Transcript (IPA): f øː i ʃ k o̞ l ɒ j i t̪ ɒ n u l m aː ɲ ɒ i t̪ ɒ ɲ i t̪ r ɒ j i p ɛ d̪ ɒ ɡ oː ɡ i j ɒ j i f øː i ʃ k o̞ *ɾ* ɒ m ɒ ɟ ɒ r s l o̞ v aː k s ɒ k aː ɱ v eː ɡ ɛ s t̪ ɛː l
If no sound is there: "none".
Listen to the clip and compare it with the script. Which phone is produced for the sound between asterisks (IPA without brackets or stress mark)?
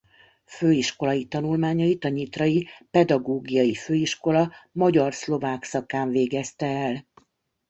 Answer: l